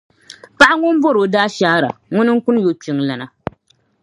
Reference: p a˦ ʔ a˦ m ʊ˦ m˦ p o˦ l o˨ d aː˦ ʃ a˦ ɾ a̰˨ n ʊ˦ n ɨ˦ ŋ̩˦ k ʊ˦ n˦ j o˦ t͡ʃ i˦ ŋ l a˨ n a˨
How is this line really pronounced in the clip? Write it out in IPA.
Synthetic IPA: p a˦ ʔ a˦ ŋ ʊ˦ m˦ b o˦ ɾ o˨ d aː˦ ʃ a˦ ɾ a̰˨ ŋ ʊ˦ n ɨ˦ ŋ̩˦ k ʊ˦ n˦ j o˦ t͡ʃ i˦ ŋ l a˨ n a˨